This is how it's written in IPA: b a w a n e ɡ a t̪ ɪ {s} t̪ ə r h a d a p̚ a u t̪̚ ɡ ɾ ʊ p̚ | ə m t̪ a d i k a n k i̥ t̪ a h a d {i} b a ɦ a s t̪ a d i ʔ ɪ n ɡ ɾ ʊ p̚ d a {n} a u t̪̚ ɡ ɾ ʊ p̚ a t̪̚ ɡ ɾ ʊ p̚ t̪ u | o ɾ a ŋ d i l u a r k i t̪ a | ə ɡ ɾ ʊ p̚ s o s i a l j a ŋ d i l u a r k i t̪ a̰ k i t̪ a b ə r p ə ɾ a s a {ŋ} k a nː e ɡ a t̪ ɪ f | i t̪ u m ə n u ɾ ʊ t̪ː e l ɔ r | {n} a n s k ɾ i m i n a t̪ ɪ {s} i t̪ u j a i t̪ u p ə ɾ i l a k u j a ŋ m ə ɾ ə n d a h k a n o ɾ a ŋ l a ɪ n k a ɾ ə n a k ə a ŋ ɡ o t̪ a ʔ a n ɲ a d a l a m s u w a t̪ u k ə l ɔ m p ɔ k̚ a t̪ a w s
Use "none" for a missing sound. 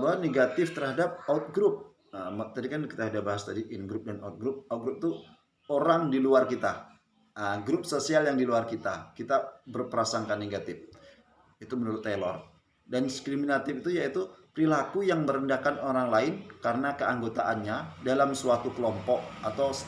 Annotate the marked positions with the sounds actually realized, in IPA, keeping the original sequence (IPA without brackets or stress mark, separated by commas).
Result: f, a, n, ŋ, d, f